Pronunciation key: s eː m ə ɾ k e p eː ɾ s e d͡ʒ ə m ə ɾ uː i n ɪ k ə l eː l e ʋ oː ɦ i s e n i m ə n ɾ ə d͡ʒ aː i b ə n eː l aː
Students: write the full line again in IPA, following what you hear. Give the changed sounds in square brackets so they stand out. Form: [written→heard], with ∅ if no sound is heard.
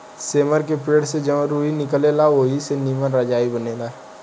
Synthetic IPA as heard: s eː m ə ɾ k e p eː [ɾ→ɽ] s e d͡ʒ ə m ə ɾ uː i n ɪ k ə l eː l [e→a] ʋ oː ɦ i s e n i m ə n ɾ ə d͡ʒ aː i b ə n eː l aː